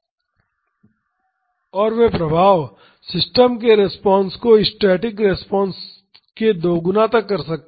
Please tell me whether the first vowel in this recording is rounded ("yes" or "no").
yes